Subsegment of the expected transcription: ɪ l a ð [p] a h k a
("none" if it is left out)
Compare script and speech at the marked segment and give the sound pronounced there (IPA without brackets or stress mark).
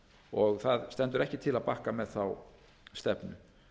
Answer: p